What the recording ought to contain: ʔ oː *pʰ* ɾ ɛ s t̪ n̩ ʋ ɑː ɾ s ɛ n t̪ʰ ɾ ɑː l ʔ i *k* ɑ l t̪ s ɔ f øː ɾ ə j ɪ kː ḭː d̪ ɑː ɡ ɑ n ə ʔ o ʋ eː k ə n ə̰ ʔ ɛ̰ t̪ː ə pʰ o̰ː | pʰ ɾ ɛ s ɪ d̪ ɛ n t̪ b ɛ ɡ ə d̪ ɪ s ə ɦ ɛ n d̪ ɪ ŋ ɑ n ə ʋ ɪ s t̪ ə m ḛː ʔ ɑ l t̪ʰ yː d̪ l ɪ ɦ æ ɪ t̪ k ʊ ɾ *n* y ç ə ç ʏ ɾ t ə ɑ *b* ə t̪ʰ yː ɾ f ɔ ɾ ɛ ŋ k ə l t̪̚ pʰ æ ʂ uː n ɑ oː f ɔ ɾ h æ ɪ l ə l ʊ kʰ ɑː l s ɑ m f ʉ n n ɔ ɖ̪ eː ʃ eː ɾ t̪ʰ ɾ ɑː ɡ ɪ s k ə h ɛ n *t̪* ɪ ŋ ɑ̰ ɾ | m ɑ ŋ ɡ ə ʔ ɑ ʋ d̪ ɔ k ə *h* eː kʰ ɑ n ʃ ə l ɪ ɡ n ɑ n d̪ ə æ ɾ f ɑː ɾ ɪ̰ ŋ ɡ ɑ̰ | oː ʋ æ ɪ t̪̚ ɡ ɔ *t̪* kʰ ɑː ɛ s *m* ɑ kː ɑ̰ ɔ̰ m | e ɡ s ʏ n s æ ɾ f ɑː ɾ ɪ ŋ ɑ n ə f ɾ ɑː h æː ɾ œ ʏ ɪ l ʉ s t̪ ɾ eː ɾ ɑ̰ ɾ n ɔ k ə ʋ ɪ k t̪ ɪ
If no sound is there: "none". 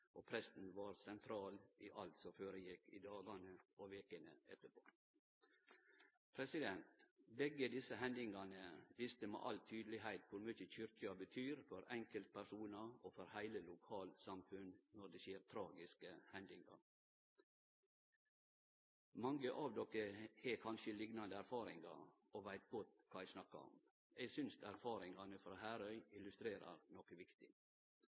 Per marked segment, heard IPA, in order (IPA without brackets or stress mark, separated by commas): pʰ, ʔ, m, b, d̪, h, t̪, n